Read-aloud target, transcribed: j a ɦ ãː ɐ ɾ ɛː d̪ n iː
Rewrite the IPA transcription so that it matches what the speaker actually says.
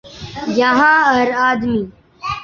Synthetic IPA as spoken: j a ɦ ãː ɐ ɾ aː d̪ m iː